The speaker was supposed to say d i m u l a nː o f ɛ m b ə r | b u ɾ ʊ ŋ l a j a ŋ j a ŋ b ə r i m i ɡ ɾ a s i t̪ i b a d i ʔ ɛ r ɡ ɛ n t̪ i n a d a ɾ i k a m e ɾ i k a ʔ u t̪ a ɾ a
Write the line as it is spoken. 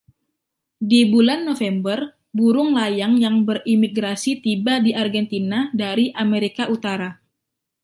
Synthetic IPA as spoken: d i b u l a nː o f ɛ m b ə r | b u ɾ ʊ ŋ l a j a ŋ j a ŋ b ə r i m i ɡ ɾ a s i t̪ i b a d i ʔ a r ɡ ɛ n t̪ i n a d a ɾ i ʔ a m e ɾ i k a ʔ u t̪ a ɾ a